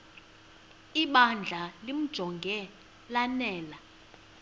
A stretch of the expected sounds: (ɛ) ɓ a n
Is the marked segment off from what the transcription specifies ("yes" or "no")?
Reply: yes